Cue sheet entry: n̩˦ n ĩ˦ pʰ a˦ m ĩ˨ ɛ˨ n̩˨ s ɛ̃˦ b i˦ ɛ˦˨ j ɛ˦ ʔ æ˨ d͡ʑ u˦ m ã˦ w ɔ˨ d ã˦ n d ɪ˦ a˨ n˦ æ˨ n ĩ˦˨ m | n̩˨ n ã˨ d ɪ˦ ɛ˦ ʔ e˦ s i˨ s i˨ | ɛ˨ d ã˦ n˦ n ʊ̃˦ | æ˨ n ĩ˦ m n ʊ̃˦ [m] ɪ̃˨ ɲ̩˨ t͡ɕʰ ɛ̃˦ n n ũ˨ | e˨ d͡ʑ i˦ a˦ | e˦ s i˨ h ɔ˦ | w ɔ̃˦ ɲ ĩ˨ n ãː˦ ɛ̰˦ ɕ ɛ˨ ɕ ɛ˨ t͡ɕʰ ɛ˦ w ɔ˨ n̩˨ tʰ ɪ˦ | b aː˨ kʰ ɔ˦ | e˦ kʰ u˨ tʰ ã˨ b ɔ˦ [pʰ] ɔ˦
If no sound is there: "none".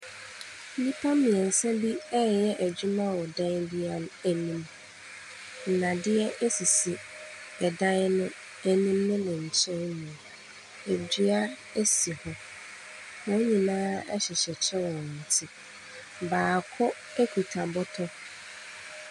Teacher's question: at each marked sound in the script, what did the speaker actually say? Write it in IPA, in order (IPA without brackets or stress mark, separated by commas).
n, tʰ